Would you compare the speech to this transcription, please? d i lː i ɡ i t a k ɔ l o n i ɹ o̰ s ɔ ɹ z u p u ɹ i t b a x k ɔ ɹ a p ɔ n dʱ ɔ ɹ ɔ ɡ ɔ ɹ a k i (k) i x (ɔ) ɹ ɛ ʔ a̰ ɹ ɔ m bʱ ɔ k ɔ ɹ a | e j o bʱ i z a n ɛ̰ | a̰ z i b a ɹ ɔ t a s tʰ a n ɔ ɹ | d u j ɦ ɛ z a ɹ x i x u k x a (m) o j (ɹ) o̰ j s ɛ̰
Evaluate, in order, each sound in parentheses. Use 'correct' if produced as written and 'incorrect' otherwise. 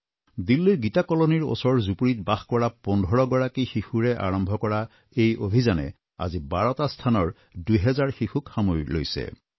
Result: incorrect: x, incorrect: u, correct, incorrect: l

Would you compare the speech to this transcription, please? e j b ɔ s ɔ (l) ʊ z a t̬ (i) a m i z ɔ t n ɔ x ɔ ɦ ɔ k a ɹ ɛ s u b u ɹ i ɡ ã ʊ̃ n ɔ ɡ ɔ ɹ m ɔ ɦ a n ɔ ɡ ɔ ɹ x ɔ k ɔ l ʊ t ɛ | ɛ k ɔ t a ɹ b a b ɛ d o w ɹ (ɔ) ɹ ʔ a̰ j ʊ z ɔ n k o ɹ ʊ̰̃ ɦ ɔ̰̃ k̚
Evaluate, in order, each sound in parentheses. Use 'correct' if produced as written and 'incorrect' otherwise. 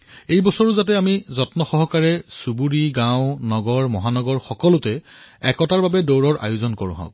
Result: incorrect: ɹ, incorrect: ɛ, correct

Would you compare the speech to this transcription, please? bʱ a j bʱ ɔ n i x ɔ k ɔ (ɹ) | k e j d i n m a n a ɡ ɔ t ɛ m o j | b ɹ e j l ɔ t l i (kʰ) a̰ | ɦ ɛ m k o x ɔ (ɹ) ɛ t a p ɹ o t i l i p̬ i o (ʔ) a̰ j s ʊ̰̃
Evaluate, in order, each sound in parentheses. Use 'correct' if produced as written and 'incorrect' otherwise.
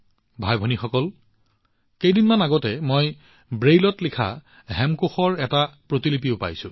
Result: incorrect: l, correct, correct, incorrect: p

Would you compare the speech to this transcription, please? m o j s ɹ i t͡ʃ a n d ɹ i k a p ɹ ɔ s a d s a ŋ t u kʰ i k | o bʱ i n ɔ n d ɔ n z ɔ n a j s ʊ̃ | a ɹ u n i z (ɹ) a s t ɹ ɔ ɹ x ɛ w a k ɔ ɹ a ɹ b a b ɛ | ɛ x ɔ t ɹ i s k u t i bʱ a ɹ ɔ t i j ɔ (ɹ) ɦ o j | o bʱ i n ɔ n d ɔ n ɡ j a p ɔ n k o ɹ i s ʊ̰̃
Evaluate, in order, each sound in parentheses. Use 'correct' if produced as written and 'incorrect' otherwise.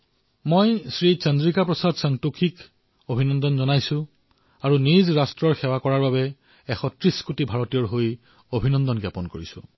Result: correct, correct

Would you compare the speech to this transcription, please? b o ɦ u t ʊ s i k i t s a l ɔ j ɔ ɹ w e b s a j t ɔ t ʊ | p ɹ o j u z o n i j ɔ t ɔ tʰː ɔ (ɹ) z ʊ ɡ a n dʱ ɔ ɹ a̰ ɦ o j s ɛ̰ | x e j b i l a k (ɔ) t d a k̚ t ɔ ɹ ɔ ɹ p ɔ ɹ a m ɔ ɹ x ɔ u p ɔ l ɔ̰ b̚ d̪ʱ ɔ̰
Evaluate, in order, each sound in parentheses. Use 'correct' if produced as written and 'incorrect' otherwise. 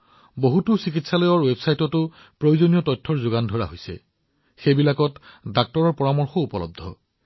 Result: correct, correct

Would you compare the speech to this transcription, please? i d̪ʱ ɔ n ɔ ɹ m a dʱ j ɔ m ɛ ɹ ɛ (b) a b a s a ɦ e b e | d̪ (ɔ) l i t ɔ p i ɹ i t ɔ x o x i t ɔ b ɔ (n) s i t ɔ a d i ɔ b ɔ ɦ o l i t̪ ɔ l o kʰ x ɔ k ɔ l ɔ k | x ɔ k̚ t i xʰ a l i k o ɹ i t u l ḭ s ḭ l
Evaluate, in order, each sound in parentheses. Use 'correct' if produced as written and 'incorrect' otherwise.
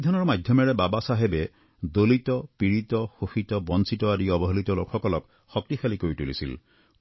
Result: correct, incorrect: o, correct

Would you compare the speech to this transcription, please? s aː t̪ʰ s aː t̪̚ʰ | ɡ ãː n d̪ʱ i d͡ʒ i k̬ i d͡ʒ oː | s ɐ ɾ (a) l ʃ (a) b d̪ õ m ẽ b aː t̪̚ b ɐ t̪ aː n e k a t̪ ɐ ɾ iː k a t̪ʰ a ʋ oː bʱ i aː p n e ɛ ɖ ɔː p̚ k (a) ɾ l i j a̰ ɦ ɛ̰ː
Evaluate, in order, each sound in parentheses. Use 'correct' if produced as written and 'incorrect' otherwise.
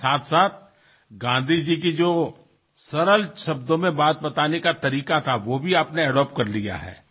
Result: incorrect: ə, incorrect: ɐ, incorrect: ɐ

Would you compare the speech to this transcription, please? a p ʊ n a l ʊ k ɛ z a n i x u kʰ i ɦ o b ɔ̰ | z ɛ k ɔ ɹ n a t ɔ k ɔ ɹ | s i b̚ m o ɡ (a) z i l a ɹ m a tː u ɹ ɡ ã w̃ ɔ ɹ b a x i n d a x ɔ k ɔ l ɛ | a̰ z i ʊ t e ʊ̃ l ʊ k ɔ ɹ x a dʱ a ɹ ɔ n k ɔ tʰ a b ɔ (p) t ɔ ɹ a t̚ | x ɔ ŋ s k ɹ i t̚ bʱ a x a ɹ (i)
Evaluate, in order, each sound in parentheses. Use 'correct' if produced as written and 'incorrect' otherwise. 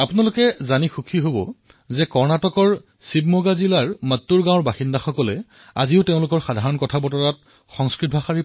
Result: correct, incorrect: none, correct

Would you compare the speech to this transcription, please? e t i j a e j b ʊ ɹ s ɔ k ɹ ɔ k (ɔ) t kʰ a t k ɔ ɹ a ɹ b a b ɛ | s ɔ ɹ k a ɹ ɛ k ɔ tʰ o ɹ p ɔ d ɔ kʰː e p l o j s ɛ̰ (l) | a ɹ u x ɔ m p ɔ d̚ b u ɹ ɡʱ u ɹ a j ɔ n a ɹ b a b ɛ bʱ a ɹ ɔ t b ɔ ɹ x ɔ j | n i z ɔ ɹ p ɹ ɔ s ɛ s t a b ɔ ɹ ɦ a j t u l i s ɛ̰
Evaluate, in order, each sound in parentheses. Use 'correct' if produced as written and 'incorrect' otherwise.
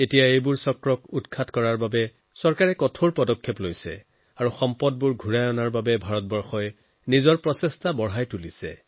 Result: incorrect: u, incorrect: none

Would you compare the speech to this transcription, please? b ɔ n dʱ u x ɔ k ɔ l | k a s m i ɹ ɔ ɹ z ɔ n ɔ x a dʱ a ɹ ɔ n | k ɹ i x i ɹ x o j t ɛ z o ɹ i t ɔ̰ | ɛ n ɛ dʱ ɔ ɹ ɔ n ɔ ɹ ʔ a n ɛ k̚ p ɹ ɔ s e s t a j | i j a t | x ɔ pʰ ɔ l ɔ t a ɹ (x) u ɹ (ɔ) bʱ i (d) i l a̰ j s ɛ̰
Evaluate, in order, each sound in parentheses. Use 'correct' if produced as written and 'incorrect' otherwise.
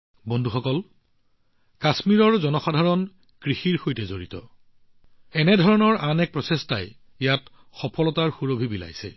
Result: correct, incorrect: o, incorrect: b

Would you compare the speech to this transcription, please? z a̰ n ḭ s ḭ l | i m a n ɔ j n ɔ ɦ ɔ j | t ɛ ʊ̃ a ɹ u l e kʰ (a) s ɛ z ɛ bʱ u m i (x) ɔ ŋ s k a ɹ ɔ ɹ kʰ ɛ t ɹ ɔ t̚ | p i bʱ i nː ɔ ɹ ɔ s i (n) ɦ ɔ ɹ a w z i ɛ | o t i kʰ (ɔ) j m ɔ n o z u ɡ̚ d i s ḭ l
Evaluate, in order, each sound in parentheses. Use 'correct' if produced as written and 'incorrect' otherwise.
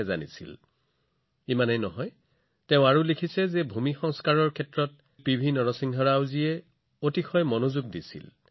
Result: incorrect: i, correct, incorrect: ŋ, correct

